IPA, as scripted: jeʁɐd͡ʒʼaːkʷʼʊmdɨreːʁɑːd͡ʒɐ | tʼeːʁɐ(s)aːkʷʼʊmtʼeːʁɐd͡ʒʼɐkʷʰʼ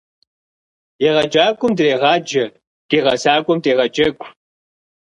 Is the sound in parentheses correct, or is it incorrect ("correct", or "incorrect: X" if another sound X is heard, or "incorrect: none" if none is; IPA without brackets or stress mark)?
correct